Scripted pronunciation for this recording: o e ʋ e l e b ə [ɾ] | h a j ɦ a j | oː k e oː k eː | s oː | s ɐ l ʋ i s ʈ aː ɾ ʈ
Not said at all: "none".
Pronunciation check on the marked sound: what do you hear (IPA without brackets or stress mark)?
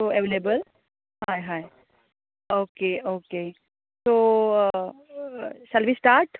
l